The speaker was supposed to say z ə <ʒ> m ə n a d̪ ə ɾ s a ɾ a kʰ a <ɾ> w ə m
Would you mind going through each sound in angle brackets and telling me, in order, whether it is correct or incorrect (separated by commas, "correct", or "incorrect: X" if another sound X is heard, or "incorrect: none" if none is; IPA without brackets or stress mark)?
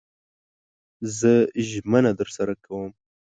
correct, incorrect: none